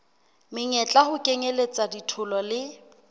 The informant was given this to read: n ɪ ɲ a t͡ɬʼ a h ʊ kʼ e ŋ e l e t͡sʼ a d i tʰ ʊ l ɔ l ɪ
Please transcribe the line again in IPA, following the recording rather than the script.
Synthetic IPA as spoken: m ɪ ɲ ɛ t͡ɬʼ a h ʊ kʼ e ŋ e l e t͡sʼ a d i tʰ ʊ l ɔ l ɪ